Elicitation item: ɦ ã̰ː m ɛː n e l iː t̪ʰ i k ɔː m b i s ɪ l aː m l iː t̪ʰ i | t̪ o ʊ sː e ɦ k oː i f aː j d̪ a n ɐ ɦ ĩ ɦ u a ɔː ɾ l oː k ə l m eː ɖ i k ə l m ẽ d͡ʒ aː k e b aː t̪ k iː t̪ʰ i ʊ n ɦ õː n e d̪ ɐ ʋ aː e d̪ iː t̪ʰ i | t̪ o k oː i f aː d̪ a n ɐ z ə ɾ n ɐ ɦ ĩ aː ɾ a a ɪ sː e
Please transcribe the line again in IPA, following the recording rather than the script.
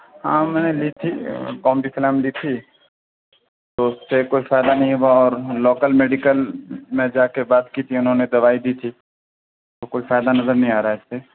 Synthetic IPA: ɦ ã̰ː m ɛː n e l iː t̪ʰ i k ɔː m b i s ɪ l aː m l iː t̪ʰ i | t̪ o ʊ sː e k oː i f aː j d̪ a n ɐ ɦ ĩ ɦ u a ɔː ɾ l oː k ə l m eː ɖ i k ə l m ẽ d͡ʒ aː k e b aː t̪ k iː t̪ʰ i ʊ n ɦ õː n e d̪ ɐ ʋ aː i d̪ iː t̪ʰ i | t̪ o k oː i f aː d̪ a n ɐ z ə ɾ n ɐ ɦ ĩ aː ɾ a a ɪ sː e